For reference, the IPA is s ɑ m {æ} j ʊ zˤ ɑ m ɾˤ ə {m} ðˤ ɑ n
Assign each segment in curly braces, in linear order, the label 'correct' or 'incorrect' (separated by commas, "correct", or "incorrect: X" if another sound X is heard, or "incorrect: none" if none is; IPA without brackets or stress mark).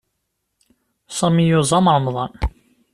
incorrect: i, correct